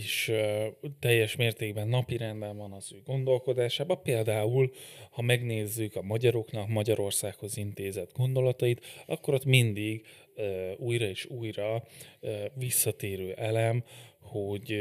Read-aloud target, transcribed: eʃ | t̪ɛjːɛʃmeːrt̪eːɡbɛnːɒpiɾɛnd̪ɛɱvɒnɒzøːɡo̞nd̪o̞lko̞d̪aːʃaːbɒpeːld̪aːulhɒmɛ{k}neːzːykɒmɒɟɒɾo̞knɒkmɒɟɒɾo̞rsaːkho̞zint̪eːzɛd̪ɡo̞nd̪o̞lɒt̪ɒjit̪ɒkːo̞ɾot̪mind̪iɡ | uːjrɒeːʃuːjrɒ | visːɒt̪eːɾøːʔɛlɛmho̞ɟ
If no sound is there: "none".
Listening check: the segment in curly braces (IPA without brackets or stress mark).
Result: ɡ